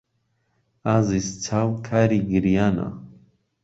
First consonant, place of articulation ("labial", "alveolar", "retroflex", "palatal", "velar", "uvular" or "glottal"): alveolar